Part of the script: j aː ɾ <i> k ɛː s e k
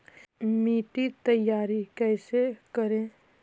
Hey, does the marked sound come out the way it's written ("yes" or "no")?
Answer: yes